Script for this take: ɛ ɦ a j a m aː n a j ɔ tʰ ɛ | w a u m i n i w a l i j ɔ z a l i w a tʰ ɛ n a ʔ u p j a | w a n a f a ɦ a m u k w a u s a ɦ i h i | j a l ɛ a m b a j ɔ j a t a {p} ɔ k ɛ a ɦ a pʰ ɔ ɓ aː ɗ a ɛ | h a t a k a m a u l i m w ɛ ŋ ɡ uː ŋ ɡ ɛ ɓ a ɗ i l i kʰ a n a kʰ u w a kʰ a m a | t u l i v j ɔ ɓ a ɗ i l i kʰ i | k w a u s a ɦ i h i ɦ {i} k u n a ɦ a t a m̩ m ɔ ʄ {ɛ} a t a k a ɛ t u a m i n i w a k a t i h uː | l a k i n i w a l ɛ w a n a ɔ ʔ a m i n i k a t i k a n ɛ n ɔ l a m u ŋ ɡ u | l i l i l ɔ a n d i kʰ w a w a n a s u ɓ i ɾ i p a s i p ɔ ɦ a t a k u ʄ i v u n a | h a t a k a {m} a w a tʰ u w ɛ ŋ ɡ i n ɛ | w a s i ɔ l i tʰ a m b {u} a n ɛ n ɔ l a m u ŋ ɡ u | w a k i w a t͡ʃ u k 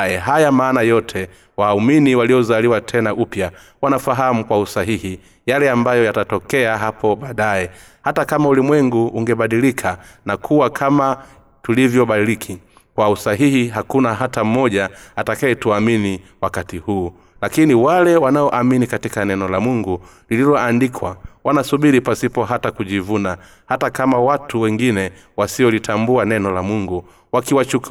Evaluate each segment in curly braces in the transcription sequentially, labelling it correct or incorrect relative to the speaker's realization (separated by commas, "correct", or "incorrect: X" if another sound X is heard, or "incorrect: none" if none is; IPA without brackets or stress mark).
incorrect: t, incorrect: a, incorrect: a, correct, correct